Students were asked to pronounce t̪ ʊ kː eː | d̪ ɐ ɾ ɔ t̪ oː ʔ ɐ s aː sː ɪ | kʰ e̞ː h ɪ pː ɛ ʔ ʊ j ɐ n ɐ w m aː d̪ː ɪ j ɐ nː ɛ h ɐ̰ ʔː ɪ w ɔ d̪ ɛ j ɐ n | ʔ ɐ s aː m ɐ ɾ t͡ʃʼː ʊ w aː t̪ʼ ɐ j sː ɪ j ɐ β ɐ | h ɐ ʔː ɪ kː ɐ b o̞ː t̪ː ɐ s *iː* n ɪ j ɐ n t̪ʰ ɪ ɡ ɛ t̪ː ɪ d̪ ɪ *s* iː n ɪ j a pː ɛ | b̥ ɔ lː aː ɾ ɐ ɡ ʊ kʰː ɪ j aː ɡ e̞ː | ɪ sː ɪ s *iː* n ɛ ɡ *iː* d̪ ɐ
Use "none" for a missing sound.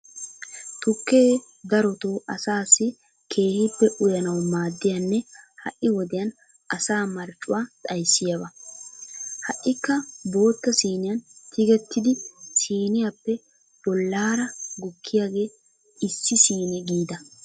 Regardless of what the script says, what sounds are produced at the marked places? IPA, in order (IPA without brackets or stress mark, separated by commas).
iː, s, iː, iː